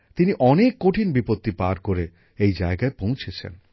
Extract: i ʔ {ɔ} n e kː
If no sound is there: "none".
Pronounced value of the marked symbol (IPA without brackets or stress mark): ɔ